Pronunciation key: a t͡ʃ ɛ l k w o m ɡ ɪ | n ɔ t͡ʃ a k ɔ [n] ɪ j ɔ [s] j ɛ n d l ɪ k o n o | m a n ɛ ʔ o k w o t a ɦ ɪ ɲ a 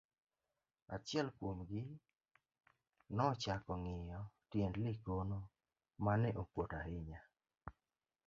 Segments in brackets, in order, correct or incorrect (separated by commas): incorrect, incorrect